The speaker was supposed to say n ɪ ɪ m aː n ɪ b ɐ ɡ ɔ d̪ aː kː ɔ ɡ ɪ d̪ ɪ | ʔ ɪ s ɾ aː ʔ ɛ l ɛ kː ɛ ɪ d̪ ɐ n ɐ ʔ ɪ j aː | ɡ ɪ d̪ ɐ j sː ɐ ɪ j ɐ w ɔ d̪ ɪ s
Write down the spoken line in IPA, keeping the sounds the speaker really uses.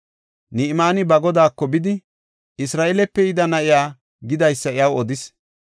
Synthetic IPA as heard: n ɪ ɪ m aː n ɪ b ɐ ɡ ɔ d̪ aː kː ɔ b ɪ d̪ ɪ | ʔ ɪ s ɾ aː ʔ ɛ l ɛ pː ɛ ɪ d̪ ɐ n ɐ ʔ ɪ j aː | ɡ ɪ d̪ ɐ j sː ɐ ɪ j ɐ w ɔ d̪ ɪ s